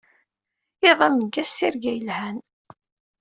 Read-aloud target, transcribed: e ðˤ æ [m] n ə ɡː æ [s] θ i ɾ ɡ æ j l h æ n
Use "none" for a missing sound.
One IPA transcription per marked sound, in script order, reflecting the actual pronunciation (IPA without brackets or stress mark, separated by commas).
m, s